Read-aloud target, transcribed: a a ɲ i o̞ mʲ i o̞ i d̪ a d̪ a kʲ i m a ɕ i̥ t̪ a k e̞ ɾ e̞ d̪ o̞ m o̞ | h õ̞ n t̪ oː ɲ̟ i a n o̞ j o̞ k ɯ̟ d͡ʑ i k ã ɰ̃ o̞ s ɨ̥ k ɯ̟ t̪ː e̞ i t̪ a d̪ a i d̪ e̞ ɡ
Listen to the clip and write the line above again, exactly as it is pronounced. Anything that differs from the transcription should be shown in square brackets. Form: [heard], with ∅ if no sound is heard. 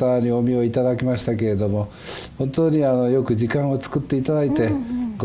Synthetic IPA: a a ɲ i o̞ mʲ i o̞ i [t̪] a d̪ a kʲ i m a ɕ i̥ t̪ a k e̞ ɾ e̞ d̪ o̞ m o̞ | h õ̞ n t̪ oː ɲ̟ i a n o̞ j o̞ k ɯ̟ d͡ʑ i k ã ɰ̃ o̞ [t͡s] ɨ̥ k ɯ̟ t̪ː e̞ i t̪ a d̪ a i [t̪] e̞ ɡ